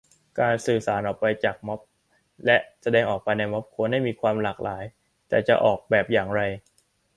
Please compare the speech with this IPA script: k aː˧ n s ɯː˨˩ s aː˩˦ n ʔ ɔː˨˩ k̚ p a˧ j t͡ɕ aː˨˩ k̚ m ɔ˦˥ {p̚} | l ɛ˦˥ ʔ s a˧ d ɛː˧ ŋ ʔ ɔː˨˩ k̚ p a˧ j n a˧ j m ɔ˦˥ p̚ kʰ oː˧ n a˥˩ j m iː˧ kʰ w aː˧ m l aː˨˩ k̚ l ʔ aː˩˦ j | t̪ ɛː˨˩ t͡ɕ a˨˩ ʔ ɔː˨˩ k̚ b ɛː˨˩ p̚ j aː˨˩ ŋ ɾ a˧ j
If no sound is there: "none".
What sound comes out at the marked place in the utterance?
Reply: p̚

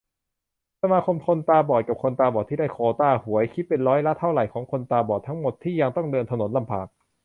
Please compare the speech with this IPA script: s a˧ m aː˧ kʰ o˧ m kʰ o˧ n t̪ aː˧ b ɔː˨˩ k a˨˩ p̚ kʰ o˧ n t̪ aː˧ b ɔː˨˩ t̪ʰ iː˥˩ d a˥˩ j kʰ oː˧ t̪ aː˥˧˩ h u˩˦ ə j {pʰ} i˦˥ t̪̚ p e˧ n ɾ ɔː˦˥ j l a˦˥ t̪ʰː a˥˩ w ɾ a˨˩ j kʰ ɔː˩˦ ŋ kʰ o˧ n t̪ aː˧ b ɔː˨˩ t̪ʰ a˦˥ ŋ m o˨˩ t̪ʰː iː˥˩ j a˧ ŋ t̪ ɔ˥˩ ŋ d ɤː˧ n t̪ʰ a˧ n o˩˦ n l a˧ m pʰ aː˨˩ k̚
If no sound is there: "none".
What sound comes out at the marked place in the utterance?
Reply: kʰ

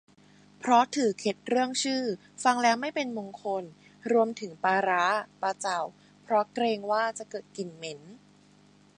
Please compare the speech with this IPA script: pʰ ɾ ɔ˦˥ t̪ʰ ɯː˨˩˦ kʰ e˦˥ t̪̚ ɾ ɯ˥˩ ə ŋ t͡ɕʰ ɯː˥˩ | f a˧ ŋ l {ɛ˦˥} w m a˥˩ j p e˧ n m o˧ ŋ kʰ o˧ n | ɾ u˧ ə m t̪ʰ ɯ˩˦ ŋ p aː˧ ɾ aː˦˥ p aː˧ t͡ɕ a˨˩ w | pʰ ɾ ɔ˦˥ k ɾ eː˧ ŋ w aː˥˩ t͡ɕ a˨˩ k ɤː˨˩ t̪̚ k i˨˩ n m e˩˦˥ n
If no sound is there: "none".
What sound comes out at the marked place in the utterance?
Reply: ɛː˦˥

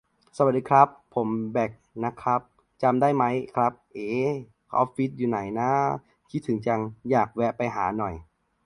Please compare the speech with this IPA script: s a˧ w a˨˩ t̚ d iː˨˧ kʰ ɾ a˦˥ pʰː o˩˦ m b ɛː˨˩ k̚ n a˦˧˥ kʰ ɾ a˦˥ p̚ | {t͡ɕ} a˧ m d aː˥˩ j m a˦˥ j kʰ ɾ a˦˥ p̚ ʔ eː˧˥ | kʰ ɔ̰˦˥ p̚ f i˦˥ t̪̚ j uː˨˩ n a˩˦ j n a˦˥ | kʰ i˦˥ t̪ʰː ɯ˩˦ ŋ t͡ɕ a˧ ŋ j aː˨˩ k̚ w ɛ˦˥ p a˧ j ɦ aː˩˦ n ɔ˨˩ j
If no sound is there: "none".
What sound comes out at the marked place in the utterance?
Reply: t͡ɕ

